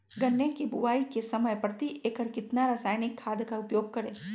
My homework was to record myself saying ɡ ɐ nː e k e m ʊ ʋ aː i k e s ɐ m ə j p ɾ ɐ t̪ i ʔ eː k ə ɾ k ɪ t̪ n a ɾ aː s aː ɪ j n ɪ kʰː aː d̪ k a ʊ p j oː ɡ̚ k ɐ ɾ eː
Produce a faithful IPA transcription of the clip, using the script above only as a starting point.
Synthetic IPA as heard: ɡ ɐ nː e k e b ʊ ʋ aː i k e s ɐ m ə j p ɾ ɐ t̪ i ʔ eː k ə ɾ k ɪ t̪ n a ɾ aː s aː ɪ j n ɪ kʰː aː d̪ k a ʊ p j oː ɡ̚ k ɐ ɾ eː